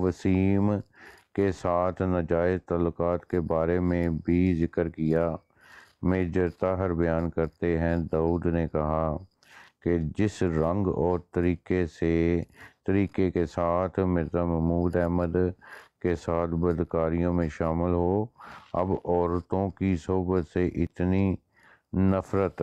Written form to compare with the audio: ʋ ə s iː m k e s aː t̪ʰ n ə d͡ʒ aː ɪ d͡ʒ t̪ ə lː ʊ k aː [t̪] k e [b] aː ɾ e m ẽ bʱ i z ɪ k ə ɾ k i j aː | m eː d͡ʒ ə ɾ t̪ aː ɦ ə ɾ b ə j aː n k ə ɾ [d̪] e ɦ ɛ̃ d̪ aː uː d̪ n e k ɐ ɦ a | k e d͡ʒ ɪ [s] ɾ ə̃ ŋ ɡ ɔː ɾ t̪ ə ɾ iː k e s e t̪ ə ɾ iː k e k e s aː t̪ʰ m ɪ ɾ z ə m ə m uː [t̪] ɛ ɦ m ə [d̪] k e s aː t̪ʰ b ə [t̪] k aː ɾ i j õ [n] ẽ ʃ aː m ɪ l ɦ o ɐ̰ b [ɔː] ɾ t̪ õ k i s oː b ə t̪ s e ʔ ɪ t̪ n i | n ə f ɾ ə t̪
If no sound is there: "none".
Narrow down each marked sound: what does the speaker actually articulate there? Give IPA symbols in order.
t̪, b, t̪, s, d̪, d̪, d̪, m, ɔː

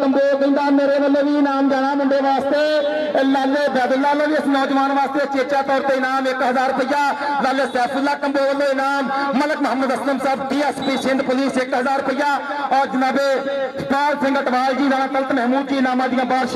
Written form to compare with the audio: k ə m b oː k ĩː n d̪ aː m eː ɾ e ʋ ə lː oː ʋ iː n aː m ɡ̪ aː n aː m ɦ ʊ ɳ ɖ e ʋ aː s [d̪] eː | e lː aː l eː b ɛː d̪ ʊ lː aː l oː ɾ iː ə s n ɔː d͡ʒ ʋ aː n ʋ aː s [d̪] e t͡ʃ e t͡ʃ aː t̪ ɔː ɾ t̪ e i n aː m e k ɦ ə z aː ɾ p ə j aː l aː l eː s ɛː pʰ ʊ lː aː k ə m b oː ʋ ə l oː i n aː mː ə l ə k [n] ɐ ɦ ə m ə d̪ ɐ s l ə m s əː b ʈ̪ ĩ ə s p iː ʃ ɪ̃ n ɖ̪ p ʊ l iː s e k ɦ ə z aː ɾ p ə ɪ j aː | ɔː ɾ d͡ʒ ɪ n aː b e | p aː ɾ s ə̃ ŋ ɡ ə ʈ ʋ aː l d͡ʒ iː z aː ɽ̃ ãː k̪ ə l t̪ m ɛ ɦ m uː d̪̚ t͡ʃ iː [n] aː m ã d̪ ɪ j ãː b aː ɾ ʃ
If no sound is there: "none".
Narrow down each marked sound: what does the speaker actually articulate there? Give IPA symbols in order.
t̪, t̪, m, n

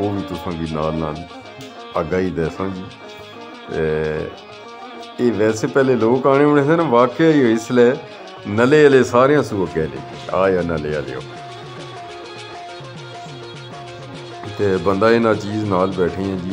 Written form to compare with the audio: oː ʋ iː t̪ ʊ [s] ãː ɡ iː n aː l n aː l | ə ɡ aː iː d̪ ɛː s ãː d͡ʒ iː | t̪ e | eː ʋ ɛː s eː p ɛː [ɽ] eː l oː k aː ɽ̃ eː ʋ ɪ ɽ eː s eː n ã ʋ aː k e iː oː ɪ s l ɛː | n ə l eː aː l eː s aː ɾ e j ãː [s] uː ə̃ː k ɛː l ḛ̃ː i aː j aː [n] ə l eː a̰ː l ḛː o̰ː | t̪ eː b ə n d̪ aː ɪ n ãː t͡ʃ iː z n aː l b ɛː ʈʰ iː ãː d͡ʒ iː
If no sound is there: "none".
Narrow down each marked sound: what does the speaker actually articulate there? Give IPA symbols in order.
s, l, s, n

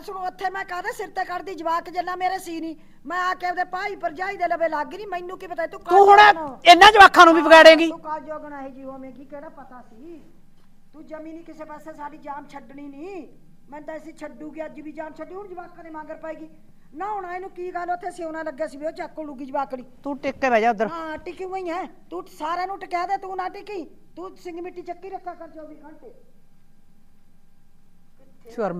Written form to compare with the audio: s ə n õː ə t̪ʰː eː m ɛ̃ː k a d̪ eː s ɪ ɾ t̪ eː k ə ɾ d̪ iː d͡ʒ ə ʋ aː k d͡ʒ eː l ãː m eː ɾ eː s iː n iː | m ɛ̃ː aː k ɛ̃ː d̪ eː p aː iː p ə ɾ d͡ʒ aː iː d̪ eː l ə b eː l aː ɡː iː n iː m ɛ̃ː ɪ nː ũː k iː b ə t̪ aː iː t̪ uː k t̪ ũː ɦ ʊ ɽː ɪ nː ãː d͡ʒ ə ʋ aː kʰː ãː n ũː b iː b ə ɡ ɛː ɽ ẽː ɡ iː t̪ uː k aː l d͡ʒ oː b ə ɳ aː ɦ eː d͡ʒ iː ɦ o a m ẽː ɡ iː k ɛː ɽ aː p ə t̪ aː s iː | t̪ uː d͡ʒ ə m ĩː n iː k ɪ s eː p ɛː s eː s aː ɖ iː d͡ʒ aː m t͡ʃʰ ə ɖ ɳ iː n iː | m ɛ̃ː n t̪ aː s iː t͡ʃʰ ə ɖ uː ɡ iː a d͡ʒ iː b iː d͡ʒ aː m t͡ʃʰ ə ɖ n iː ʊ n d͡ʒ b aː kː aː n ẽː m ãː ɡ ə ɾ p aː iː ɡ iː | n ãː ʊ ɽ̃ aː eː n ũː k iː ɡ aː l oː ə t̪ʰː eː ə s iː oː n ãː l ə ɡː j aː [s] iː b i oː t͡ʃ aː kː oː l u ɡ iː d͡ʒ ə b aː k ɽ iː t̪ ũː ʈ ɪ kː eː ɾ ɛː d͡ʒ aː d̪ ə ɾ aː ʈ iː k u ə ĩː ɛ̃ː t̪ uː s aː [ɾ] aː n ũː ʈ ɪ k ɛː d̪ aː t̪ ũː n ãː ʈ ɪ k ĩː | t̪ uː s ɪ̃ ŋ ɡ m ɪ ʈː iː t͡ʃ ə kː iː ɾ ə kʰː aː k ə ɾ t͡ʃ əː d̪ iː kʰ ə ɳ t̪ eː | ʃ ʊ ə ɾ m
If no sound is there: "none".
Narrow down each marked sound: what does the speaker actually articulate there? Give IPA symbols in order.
s, ɾ

